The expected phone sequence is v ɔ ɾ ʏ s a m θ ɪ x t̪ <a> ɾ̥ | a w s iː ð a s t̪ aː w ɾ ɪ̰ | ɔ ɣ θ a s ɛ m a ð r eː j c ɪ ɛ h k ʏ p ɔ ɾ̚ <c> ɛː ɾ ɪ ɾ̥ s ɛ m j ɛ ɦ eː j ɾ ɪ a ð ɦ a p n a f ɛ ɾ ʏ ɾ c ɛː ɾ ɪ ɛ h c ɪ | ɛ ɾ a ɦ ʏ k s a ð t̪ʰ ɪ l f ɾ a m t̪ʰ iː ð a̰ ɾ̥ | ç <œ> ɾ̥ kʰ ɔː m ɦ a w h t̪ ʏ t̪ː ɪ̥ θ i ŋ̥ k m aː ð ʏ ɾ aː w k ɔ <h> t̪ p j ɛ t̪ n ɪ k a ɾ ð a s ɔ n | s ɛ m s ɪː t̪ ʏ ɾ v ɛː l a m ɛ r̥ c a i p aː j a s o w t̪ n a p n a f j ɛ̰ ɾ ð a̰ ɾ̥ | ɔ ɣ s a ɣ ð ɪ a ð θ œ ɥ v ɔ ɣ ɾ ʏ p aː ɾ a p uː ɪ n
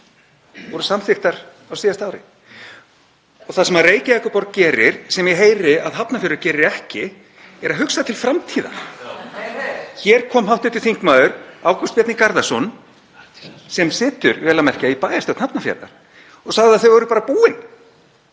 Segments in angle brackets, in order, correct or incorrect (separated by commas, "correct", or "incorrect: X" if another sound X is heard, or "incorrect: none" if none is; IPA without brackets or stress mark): correct, correct, incorrect: ɛ, incorrect: s